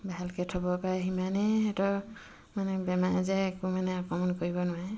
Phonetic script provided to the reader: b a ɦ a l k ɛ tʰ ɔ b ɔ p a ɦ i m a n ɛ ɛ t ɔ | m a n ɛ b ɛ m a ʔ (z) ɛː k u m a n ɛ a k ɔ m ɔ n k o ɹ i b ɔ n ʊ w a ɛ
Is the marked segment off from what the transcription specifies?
no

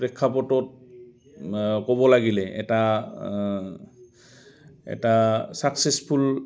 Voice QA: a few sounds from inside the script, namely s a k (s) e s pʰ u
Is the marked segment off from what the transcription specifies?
no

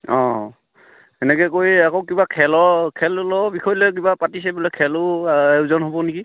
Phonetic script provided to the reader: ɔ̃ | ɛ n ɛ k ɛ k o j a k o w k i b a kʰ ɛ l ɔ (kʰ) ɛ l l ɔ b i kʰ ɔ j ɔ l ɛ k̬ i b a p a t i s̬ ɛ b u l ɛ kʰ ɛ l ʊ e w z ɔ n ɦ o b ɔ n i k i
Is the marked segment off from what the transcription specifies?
no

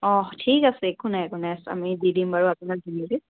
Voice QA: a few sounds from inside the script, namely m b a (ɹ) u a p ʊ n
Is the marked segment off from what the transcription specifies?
no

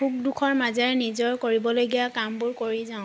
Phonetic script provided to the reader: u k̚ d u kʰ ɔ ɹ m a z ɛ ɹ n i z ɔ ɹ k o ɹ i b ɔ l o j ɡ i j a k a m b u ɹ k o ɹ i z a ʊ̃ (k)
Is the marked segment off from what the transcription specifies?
yes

